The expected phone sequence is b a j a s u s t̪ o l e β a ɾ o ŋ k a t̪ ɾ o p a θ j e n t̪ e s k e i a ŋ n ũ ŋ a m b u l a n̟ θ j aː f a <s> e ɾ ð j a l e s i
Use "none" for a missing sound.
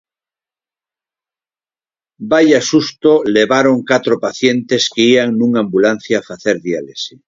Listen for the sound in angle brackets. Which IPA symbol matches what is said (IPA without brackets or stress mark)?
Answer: θ